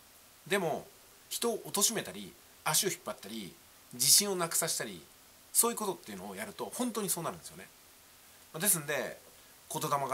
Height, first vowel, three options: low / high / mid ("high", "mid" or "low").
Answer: mid